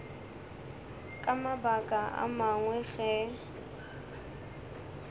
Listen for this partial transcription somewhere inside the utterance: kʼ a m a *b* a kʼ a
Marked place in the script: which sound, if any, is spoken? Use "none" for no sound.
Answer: b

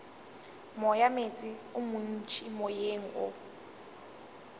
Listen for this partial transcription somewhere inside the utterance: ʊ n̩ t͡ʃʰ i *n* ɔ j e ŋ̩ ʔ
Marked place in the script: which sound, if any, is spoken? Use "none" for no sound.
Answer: m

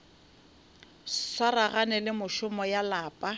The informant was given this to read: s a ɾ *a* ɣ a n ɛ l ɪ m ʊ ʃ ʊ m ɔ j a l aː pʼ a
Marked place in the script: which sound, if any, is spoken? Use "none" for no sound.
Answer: a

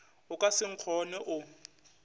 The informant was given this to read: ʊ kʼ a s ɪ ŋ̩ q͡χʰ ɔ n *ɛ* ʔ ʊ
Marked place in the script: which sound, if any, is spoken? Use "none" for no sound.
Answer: ɛ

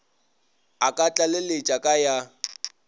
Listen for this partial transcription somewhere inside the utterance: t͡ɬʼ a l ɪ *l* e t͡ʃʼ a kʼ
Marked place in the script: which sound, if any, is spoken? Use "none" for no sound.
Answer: l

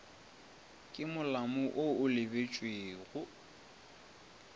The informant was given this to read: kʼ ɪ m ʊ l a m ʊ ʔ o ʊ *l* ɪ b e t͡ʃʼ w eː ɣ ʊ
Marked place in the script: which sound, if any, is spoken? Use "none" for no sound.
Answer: l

